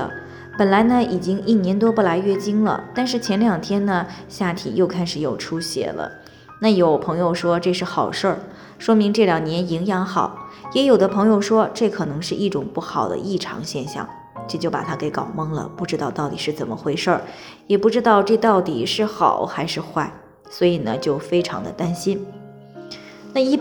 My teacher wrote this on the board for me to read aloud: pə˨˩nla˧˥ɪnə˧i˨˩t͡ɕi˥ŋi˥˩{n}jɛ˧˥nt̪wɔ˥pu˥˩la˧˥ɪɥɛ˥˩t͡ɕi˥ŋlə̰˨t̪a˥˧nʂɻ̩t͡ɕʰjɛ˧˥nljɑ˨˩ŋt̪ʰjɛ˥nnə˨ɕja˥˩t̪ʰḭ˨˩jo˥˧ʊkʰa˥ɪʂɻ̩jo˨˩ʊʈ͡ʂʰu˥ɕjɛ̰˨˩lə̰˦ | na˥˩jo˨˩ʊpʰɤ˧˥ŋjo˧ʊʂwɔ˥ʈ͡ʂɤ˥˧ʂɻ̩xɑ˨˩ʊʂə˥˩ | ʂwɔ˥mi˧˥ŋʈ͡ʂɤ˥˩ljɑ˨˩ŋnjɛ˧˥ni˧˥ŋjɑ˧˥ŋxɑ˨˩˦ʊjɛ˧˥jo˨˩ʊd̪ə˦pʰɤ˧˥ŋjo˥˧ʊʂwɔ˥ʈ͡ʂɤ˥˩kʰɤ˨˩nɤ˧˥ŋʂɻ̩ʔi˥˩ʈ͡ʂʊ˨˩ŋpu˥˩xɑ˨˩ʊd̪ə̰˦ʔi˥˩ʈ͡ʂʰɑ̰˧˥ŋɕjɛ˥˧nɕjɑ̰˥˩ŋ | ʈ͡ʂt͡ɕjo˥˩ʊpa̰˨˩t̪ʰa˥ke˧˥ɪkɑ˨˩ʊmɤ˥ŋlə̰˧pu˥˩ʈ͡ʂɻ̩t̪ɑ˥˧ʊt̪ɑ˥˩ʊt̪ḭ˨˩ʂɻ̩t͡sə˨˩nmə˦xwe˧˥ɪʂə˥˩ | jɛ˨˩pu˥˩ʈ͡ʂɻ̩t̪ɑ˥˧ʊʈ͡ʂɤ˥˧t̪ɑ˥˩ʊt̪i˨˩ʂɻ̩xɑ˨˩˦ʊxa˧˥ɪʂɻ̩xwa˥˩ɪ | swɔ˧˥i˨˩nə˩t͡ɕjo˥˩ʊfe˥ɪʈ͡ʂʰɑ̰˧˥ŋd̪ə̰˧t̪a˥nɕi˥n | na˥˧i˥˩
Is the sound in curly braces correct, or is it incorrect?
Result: correct